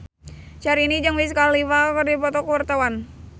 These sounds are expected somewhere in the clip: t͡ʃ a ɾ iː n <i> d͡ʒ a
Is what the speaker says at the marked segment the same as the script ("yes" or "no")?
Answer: yes